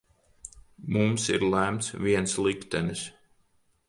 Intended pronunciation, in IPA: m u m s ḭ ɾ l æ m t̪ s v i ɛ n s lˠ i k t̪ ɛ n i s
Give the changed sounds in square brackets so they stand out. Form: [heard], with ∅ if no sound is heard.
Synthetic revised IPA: m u m s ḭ ɾ l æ m t̪ s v i ɛ n s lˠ i k t̪ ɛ n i s